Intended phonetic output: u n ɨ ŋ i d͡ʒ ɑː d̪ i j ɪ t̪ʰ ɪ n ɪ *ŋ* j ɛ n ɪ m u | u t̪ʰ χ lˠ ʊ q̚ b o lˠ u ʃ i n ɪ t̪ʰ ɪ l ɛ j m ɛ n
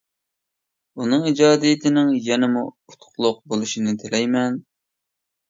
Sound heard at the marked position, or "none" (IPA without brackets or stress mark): ŋ